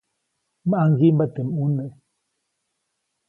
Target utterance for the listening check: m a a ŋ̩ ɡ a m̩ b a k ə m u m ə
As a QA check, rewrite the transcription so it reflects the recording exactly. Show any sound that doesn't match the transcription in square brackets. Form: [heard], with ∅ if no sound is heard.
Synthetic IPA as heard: m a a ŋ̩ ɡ [i] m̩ b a [t] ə m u [n] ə